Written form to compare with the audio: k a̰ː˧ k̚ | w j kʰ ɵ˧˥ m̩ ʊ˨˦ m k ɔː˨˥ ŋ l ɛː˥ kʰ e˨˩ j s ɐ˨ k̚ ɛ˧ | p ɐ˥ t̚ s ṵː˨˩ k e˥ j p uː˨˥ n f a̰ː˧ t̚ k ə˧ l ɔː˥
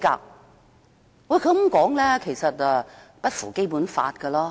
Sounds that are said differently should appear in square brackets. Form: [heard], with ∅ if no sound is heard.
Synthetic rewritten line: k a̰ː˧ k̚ | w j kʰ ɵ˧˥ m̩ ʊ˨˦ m k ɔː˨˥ ŋ l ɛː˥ kʰ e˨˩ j s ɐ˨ [t̚] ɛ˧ | p ɐ˥ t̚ [f] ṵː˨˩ k e˥ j p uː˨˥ n f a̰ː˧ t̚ k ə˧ l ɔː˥